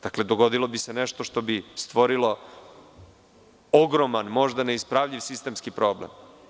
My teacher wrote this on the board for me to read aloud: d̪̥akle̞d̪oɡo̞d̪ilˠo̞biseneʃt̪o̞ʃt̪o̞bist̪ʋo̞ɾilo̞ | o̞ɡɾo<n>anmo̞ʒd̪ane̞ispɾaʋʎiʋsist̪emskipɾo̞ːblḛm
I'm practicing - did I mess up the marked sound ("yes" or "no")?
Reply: yes